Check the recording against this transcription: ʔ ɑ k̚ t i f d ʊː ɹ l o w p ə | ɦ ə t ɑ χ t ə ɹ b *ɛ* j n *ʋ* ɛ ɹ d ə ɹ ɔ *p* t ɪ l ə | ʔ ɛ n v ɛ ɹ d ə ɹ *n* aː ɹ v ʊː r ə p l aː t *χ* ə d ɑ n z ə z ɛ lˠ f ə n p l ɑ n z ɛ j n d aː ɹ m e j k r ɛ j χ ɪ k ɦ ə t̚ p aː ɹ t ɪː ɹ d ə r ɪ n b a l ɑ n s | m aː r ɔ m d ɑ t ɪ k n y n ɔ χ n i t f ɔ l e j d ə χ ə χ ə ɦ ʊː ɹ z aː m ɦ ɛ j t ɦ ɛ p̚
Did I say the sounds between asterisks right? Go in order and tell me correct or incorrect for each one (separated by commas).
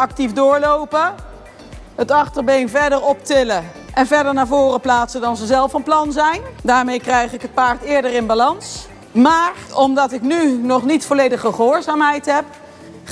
incorrect, incorrect, correct, correct, incorrect